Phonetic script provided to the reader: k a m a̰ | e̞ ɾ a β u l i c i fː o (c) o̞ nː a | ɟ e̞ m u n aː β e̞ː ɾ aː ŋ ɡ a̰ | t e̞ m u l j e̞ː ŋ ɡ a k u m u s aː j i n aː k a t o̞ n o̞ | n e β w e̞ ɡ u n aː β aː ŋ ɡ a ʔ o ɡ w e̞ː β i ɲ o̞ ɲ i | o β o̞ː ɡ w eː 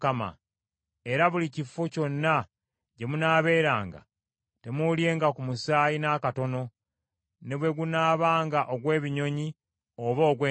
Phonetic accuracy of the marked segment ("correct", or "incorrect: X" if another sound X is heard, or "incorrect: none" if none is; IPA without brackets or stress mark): correct